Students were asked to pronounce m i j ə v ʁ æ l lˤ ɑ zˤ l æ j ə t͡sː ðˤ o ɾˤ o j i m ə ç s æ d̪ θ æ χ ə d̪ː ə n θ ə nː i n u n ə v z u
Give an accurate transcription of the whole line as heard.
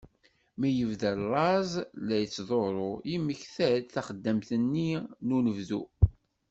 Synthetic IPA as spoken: m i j ə v ð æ l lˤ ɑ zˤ l æ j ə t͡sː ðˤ o ɾˤ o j i m ə ç θ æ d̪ θ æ χ ə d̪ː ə m θ ə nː i n u n ə v ð u